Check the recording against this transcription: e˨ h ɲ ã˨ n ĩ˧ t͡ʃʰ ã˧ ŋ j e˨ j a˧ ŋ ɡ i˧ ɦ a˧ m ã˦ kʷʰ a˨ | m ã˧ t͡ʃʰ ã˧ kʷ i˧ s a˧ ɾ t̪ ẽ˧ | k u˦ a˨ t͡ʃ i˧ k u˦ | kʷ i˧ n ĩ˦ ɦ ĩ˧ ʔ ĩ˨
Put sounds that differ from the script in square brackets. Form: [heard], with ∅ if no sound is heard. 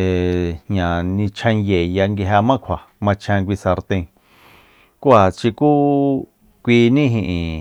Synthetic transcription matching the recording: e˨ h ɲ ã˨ n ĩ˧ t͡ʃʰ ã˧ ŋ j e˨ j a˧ ŋ ɡ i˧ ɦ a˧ m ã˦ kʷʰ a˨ | m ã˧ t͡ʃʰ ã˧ kʷ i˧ s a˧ ɾ t̪ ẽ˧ | k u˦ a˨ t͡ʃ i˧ k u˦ | kʷ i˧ n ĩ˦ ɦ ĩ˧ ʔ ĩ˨